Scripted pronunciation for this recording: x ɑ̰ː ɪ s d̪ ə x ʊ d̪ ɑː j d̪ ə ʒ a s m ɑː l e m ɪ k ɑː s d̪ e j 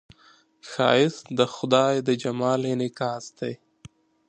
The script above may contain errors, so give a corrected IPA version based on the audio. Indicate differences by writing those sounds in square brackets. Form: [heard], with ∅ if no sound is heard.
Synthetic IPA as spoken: x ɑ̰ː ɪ s d̪ ə x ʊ d̪ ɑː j d̪ ə [d͡ʒ] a [∅] m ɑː l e [n] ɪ k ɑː s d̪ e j

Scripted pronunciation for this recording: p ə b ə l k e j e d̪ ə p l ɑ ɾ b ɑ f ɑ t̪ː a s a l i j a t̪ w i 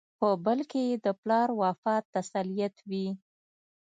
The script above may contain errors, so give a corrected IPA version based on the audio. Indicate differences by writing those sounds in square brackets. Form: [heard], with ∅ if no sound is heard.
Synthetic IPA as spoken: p ə b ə l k e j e d̪ ə p l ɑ ɾ [w] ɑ f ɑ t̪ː a s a l i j a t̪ w i

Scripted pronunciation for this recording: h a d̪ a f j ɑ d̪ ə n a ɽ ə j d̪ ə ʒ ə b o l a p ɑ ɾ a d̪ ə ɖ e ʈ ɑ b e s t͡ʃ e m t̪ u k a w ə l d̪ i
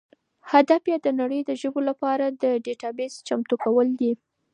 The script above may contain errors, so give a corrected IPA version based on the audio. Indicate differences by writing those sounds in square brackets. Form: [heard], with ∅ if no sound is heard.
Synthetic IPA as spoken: h a d̪ a f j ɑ d̪ ə n a ɽ ə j d̪ ə ʒ ə b o l a p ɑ ɾ a d̪ ə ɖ e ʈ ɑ b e s t͡ʃ [a] m t̪ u k a w ə l d̪ i

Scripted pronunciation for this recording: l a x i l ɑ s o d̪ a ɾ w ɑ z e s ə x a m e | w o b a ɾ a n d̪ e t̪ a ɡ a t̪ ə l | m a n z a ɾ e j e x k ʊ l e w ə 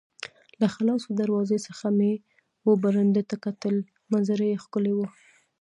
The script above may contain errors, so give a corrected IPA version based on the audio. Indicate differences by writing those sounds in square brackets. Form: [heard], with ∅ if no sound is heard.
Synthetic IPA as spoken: l a x [a] l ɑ s o d̪ a ɾ w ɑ z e s ə x a m e | w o b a ɾ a n d̪ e t̪ a [k] a t̪ ə l | m a n z a ɾ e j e x k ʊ l e w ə

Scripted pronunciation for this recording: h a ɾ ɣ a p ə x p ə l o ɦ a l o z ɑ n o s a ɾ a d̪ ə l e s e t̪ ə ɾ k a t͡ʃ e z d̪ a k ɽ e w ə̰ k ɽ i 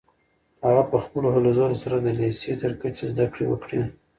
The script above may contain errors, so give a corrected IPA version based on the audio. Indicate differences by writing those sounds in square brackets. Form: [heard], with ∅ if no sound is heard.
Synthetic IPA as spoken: h a [∅] ɣ a p ə x p ə l o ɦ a l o z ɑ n o s a ɾ a d̪ ə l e s e t̪ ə ɾ k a t͡ʃ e z d̪ a k ɽ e w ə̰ k ɽ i

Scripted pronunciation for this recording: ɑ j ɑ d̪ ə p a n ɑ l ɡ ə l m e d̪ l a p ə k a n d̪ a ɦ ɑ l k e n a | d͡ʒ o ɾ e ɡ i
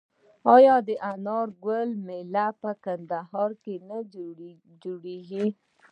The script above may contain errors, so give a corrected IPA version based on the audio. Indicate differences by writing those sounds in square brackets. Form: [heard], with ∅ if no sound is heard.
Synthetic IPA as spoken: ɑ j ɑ d̪ ə [ʔ] a n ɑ [ɾ] ɡ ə l m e [∅] l a p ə k a n d̪ a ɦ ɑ [ɾ] k e n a | d͡ʒ o [ɽ] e ɡ i

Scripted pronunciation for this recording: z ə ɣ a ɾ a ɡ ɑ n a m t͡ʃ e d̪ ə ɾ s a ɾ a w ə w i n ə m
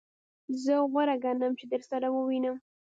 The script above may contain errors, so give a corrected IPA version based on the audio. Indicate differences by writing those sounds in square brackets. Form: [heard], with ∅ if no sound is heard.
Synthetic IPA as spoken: z ə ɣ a ɾ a ɡ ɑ n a m t͡ʃ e d̪ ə ɾ s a ɾ a w ə w i n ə m

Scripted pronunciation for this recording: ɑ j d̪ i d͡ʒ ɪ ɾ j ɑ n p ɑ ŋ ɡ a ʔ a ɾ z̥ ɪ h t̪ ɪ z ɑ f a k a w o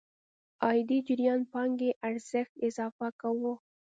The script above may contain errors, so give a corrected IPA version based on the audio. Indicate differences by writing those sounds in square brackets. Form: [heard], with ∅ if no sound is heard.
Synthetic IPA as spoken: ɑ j d̪ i d͡ʒ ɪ ɾ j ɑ n p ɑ ŋ ɡ [e] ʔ a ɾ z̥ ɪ [x] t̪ ɪ z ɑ f a k a w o

